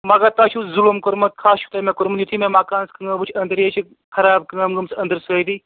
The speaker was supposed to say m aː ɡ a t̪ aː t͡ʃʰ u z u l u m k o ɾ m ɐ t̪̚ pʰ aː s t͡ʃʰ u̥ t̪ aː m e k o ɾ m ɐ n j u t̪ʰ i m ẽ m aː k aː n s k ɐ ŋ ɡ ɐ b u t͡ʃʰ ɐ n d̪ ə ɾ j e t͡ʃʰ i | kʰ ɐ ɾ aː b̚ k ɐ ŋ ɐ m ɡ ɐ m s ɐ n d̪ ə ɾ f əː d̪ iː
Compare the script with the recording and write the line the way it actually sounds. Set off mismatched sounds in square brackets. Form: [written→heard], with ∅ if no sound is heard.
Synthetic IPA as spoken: m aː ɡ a t̪ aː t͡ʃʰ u z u l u m k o ɾ m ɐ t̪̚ [pʰ→kʰ] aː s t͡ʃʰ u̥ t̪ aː m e k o ɾ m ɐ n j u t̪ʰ i m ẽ m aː k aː n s k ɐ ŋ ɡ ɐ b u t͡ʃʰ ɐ n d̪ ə ɾ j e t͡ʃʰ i | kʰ ɐ ɾ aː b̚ k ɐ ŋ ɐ m ɡ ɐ m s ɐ n d̪ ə ɾ [f→s] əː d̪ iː

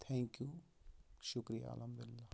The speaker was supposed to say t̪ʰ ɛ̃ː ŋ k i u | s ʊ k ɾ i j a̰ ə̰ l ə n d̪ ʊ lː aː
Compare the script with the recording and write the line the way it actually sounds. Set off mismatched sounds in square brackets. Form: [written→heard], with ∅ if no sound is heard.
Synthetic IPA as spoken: t̪ʰ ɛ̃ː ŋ k [i→j] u | [s→ʃ] ʊ k ɾ i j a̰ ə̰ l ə [n→m] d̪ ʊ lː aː

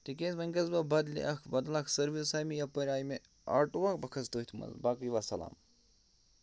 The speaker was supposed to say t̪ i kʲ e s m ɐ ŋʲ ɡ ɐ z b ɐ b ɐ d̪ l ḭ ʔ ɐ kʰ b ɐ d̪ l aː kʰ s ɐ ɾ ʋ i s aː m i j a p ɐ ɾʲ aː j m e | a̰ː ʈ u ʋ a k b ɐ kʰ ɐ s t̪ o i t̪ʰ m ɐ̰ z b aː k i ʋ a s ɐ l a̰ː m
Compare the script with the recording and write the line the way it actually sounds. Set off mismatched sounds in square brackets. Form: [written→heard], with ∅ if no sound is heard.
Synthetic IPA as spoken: t̪ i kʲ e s m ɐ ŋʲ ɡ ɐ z b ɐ b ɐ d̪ l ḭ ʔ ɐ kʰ b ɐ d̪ l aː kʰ s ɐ ɾ ʋ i s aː m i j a p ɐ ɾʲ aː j m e | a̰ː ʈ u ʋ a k b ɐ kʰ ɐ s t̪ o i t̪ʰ m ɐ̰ z b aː k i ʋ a s ɐ l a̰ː m

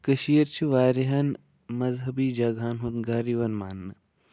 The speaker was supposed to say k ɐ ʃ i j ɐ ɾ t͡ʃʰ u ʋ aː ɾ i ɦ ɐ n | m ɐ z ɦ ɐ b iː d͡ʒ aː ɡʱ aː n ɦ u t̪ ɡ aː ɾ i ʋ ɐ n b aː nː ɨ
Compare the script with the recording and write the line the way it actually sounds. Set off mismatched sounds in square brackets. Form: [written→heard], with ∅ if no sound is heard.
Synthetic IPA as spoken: k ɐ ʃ i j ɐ ɾ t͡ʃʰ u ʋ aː ɾ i ɦ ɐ n | m ɐ z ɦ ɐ b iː d͡ʒ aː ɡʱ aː n ɦ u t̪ ɡ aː ɾ i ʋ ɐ n [b→m] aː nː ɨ

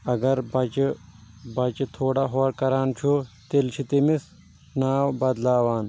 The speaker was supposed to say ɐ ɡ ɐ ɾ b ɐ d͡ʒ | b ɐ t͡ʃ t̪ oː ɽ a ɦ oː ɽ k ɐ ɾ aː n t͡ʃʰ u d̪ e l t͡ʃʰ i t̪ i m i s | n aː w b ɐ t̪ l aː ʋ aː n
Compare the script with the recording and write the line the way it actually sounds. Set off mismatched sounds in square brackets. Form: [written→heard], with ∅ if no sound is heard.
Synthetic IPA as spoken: ɐ ɡ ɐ ɾ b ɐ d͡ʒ | b ɐ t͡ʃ [t̪→t̪ʰ] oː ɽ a ɦ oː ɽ k ɐ ɾ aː n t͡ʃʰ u [d̪→t̪] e l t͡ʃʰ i t̪ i m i s | n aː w b ɐ [t̪→d̪] l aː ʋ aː n

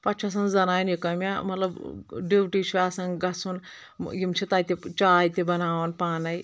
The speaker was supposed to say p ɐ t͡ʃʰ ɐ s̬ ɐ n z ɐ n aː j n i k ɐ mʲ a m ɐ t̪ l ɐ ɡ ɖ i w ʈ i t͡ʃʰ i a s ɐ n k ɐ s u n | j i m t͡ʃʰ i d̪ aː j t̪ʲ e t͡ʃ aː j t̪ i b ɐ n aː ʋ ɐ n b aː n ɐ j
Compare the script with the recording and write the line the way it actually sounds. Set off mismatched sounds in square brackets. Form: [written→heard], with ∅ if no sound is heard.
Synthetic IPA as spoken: p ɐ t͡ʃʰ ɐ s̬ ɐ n z ɐ n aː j n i k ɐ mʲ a m ɐ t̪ l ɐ [ɡ→b] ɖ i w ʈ i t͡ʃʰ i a s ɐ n [k→ɡ] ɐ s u n | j i m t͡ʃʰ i [d̪→t̪] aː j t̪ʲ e t͡ʃ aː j t̪ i b ɐ n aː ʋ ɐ n [b→p] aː n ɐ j

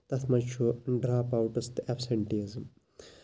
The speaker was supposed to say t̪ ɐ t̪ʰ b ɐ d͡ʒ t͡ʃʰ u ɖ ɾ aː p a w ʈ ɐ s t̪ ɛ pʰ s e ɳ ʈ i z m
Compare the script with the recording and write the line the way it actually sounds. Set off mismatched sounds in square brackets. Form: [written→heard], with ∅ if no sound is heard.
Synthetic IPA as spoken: t̪ ɐ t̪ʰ [b→m] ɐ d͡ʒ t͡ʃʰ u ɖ ɾ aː p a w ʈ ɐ s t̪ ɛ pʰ s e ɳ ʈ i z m

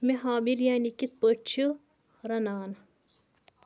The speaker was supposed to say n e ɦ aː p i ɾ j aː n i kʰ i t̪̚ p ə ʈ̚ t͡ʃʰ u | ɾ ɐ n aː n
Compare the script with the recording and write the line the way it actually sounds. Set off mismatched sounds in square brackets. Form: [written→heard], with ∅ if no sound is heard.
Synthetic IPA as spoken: [n→m] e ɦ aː [p→b] i ɾ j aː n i [kʰ→k] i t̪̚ p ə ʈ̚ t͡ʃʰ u | ɾ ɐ n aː n

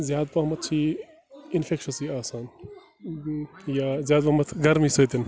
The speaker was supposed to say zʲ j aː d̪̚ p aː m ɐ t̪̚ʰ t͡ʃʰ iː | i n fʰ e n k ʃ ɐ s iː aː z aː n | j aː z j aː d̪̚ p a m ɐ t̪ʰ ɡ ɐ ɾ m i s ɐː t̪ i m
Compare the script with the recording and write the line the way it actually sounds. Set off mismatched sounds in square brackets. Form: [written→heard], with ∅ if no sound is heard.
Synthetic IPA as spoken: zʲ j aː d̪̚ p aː m ɐ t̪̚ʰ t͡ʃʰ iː | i n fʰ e [n→∅] k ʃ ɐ s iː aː [z→s] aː n | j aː z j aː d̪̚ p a m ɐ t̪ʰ ɡ ɐ ɾ m i s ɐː t̪ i [m→n]

